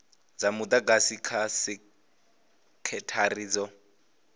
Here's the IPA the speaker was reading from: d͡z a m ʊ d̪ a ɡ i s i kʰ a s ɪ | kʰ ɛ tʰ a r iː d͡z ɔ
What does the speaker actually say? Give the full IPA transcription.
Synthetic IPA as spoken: d͡z a m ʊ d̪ a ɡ a s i kʰ a s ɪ | kʰ ɛ tʰ a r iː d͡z ɔ